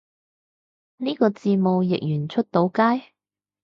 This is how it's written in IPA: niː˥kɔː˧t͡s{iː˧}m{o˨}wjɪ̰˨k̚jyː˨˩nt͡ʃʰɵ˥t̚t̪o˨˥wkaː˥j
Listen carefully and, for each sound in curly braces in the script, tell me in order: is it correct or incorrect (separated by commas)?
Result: correct, correct